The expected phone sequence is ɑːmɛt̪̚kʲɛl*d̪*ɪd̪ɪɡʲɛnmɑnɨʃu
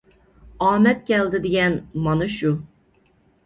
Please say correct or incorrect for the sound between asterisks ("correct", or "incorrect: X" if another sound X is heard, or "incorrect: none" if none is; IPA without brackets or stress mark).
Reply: correct